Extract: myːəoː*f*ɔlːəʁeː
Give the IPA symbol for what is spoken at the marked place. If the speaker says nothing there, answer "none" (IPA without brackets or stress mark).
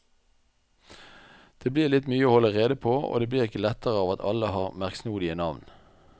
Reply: h